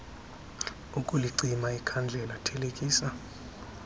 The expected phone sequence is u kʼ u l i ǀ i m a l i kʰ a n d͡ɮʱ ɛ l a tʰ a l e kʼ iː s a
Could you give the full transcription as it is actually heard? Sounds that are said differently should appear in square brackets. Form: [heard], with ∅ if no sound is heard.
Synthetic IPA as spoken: u kʼ u l i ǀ i m a [∅] i kʰ a n d͡ɮʱ ɛ l a tʰ [ɛ] l e kʼ iː s a